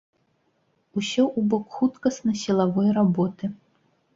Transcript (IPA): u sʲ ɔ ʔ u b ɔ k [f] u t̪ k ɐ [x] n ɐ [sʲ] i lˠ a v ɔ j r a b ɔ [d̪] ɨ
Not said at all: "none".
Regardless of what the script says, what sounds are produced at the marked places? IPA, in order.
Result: x, s, sʲ, t̪

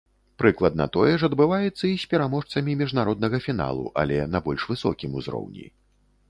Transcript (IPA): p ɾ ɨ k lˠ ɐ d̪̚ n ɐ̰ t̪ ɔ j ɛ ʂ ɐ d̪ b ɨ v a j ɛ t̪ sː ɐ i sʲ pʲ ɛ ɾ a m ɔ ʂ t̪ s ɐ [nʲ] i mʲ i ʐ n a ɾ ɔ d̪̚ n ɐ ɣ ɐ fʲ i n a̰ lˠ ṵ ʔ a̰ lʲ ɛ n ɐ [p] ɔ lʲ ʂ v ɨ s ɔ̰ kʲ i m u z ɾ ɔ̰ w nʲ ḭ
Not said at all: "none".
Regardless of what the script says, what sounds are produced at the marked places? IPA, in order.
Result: mʲ, b

